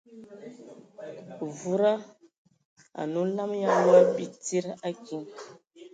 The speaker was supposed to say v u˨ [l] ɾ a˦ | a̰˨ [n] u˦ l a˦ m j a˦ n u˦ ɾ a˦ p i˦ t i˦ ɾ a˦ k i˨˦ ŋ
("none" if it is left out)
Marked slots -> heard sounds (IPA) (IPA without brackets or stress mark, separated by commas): none, n